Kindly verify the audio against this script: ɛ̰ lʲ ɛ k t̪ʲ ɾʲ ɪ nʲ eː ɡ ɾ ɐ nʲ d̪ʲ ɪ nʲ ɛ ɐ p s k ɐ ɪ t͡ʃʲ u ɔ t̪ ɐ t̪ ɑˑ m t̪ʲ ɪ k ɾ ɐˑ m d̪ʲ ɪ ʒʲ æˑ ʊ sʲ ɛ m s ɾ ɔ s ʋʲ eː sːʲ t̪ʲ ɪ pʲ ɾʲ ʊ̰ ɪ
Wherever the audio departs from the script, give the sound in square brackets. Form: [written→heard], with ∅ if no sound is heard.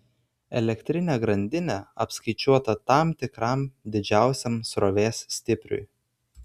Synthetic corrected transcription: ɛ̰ lʲ ɛ k t̪ʲ ɾʲ ɪ nʲ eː ɡ ɾ ɐ nʲ d̪ʲ ɪ nʲ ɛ ɐ p s k ɐ ɪ t͡ʃʲ u ɔ t̪ ɐ t̪ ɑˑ m t̪ʲ ɪ k ɾ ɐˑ m d̪ʲ ɪ [ʒʲ→d͡ʒʲ] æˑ ʊ sʲ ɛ m s ɾ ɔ [s→∅] ʋʲ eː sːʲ t̪ʲ ɪ pʲ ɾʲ ʊ̰ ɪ